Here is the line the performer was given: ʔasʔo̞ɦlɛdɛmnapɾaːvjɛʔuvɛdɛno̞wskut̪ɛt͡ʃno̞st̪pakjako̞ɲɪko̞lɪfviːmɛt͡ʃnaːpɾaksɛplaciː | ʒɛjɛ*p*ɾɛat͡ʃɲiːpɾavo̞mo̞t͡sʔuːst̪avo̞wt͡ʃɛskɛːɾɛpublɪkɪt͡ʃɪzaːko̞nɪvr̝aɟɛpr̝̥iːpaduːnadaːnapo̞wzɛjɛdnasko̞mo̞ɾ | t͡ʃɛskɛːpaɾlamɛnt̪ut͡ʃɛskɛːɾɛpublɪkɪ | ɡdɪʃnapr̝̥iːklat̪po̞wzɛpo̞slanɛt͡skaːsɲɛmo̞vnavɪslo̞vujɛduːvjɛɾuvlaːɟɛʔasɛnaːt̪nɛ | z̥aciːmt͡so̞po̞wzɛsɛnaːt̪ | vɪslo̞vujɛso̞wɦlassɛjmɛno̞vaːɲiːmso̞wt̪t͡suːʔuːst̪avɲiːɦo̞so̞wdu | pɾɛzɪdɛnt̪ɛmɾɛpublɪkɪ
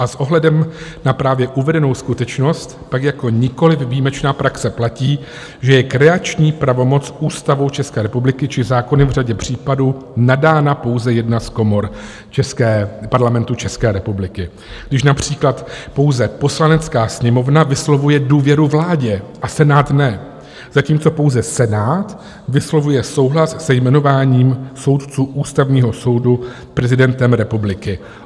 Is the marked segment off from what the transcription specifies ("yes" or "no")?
yes